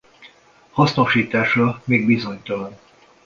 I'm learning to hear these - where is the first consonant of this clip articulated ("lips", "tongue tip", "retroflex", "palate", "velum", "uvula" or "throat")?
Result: throat